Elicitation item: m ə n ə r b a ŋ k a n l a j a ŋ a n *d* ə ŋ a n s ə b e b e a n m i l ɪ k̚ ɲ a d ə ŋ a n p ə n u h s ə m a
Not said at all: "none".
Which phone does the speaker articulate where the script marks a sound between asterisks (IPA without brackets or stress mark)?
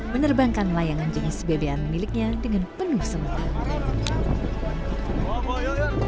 d͡ʒ